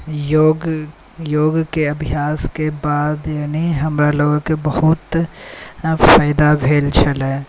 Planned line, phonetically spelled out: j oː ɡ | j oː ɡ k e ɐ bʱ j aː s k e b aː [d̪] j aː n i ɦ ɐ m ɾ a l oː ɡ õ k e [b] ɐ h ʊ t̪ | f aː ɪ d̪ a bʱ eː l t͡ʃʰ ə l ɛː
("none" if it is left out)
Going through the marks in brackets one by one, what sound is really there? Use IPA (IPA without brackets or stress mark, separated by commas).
d̪, b